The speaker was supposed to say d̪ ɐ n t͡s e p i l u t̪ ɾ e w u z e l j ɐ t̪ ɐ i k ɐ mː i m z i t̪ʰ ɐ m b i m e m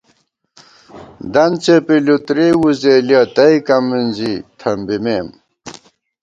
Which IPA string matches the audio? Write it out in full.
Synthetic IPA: d̪ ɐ n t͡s e p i l u t̪ ɾ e w u z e l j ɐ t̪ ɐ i k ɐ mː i n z i t̪ʰ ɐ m b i m e m